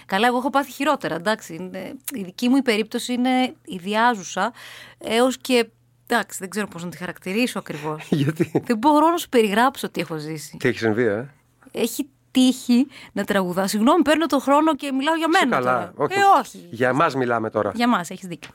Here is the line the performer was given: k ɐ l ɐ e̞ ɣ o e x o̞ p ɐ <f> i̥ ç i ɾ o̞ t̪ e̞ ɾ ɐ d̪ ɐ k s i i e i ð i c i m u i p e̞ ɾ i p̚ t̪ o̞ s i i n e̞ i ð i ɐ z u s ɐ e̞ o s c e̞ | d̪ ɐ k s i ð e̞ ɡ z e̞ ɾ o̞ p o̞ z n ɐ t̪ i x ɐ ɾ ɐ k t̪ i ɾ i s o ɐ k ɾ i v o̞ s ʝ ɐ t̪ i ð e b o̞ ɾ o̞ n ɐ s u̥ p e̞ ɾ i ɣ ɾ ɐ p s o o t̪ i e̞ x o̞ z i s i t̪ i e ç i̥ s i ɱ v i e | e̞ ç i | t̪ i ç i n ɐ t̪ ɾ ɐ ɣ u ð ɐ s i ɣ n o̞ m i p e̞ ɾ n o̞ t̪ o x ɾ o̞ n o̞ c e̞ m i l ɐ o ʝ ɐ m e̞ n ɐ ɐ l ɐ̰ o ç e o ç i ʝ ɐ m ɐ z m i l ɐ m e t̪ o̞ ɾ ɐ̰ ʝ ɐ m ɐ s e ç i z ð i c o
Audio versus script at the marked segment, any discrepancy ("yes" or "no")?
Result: yes